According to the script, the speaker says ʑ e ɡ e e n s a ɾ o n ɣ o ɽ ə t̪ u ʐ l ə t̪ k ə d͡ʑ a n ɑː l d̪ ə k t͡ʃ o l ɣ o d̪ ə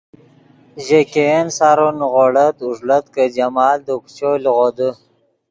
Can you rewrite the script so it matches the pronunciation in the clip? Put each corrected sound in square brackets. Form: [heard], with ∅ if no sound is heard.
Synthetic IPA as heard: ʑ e [k] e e n s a ɾ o n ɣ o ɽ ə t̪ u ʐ l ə t̪ k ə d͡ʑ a [m] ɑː l d̪ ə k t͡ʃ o l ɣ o d̪ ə